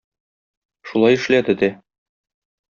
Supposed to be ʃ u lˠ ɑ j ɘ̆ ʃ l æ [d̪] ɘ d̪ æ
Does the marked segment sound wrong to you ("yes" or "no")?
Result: no